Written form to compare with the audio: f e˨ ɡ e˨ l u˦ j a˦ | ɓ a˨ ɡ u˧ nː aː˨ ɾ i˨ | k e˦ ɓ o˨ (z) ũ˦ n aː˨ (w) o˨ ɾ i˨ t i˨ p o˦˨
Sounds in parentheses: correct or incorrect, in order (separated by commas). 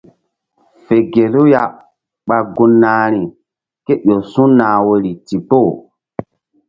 incorrect, correct